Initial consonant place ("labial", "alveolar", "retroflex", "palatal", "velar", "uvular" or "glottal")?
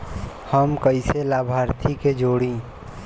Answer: glottal